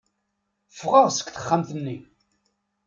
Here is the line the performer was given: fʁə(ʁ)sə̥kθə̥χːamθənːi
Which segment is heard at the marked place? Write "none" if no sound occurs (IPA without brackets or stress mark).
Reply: ʁ